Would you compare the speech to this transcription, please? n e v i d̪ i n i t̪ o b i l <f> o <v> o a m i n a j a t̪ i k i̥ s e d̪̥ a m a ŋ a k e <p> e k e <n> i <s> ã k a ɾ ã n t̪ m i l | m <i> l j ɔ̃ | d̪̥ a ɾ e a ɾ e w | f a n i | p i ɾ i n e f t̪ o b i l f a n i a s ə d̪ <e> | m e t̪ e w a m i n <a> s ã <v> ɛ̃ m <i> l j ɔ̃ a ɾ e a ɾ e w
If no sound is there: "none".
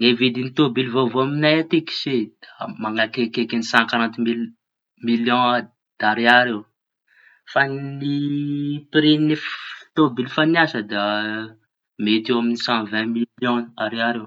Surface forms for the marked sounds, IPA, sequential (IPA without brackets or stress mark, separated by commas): v, v, k, n, s, i, a, i, v, i